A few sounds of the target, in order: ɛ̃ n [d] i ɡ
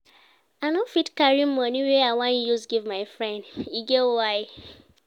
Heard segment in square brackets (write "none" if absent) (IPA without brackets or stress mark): d